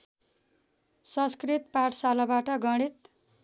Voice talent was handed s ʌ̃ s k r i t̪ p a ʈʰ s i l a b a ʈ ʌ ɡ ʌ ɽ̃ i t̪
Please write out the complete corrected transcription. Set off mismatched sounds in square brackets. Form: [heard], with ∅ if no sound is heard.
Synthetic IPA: s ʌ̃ s k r i t̪ p a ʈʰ s [a] l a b a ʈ ʌ ɡ ʌ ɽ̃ i t̪

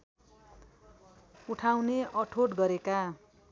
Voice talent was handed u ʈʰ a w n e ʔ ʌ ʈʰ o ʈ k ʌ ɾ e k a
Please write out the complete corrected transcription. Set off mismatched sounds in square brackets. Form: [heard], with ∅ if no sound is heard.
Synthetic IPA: u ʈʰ a w n e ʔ ʌ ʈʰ o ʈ [ɡ] ʌ ɾ e k a

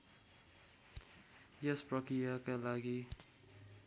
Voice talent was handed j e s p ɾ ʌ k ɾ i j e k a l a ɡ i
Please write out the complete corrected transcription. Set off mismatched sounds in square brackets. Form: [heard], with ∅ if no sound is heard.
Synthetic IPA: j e s p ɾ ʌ k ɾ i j [a] k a l a ɡ i

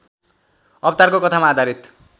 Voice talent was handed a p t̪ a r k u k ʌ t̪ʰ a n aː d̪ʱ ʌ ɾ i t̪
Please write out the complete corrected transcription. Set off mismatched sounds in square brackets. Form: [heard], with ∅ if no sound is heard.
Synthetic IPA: [ʌ] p t̪ a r k [o] k ʌ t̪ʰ a [m] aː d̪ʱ [a] ɾ i t̪

